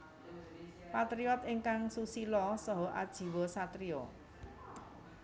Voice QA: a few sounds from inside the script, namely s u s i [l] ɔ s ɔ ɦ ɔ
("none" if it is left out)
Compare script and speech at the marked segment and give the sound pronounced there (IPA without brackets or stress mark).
l